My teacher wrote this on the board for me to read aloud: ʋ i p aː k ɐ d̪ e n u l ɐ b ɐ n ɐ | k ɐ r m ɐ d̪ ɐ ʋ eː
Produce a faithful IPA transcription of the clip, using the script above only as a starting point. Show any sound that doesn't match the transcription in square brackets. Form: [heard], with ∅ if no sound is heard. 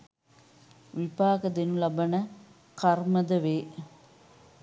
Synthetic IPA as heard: ʋ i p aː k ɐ d̪ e n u l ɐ b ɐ n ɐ | k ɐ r m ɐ d̪ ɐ ʋ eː

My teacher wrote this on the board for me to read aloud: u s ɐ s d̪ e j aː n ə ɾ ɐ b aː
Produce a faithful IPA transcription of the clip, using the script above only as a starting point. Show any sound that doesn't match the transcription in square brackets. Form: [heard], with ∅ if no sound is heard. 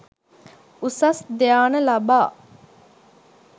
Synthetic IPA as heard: u s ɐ s d̪ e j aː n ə [l] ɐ b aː

